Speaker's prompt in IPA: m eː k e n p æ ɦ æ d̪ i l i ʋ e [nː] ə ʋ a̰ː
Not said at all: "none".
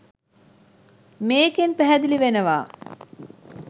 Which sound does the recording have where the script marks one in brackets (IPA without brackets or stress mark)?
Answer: n